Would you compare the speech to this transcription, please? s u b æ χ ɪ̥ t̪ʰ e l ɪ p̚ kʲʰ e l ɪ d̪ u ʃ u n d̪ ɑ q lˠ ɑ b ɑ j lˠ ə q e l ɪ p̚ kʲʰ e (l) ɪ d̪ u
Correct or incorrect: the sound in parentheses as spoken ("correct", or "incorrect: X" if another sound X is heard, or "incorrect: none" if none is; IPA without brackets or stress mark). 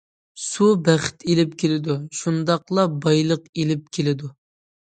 correct